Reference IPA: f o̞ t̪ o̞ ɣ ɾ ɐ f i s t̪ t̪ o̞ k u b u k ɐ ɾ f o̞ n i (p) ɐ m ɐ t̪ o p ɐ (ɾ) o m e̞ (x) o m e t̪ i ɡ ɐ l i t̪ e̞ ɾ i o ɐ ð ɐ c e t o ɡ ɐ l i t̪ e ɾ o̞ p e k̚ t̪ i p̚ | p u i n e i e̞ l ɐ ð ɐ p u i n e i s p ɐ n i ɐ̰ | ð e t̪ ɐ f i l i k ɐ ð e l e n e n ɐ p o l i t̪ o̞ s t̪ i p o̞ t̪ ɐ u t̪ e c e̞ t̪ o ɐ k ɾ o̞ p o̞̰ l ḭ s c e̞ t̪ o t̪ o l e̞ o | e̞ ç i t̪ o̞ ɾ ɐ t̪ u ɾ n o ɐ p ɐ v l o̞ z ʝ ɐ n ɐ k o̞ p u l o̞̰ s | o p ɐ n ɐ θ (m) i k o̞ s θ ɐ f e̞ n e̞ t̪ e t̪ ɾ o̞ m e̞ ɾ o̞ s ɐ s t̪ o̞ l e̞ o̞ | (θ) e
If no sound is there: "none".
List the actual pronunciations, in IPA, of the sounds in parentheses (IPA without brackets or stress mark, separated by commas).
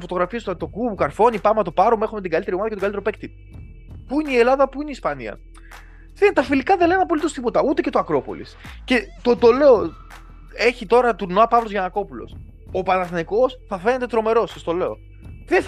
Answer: p, ɾ, x, n, ð